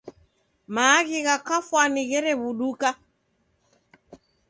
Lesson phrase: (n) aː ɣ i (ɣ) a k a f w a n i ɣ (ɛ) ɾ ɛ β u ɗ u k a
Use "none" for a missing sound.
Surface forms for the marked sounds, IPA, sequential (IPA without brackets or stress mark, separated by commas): m, ɣ, ɛ